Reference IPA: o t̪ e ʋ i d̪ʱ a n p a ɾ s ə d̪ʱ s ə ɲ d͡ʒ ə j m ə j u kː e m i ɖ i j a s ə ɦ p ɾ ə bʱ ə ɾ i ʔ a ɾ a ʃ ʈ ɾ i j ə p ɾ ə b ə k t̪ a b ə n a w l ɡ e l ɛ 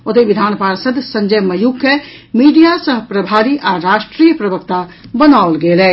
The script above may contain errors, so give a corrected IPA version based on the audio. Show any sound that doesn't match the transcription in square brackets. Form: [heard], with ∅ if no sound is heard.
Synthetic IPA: o t̪ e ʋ i d̪ʱ a n p a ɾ s ə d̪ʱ s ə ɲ d͡ʒ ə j m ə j u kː e m i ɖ i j a s ə ɦ p ɾ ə bʱ [a] ɾ i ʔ a ɾ a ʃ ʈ ɾ i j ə p ɾ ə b ə k t̪ a b ə n a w l ɡ e l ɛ